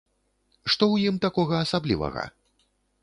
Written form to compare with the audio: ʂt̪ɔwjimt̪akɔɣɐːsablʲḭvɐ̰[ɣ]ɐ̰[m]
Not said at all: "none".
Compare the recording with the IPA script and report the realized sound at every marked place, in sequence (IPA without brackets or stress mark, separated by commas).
ɣ, none